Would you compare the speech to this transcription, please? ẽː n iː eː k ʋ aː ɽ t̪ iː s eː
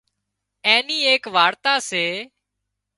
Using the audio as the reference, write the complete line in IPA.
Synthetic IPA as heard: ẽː n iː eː k ʋ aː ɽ t̪ aː s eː